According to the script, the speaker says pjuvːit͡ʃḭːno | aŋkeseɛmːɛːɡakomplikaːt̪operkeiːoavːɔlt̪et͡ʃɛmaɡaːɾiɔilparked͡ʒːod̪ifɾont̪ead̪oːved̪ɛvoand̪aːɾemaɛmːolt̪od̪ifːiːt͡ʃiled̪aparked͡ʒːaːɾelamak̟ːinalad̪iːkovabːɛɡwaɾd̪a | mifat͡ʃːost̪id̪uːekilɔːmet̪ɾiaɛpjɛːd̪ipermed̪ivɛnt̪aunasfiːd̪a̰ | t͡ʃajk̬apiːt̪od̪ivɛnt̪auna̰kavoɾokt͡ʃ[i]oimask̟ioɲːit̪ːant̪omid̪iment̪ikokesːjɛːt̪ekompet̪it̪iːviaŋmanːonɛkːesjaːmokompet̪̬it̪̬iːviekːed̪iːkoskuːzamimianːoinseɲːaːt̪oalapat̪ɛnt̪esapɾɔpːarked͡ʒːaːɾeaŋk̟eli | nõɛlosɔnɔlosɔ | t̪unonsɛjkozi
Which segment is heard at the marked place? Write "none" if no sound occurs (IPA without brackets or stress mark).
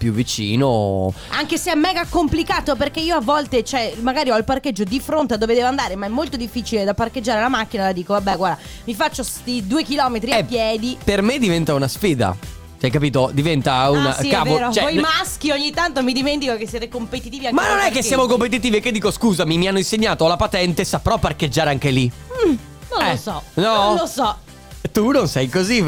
ɛ